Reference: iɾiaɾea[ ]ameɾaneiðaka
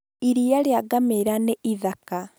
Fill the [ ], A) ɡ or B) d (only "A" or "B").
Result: A